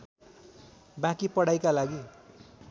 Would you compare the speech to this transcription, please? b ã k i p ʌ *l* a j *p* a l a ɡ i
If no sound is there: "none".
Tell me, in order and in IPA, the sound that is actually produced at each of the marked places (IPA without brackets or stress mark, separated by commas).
ɽ, k